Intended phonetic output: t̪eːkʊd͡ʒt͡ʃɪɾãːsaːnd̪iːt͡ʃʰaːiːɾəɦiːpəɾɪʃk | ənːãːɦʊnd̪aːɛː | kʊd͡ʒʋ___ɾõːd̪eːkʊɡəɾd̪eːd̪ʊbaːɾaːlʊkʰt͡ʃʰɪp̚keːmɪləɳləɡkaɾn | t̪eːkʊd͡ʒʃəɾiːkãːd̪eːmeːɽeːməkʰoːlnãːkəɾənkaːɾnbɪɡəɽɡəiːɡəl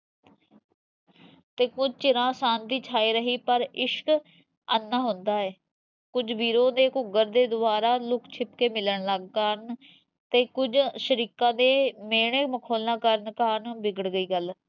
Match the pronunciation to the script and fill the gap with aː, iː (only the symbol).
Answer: iː